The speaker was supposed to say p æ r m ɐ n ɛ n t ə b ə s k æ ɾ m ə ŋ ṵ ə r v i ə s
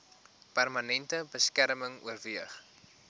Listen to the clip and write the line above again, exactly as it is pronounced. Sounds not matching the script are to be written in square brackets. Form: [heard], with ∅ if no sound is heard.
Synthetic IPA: p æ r m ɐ n ɛ n t ə b ə s k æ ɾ m ə ŋ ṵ ə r v i ə [χ]